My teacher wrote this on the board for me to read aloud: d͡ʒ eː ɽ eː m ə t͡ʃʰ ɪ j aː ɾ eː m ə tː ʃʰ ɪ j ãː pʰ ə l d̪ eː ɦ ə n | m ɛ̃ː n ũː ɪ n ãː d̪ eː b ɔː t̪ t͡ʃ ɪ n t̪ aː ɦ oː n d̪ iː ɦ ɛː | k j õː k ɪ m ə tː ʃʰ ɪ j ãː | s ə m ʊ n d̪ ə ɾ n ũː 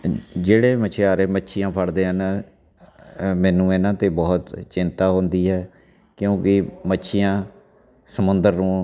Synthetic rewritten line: d͡ʒ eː ɽ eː m ə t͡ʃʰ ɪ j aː ɾ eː m ə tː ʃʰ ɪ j ãː pʰ ə ɽ d̪ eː ɦ ə n | m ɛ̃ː n ũː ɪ n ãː t̪ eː b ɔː t̪ t͡ʃ ɪ n t̪ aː ɦ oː n d̪ iː ɦ ɛː | k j õː k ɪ m ə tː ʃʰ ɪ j ãː | s ə m ʊ n d̪ ə ɾ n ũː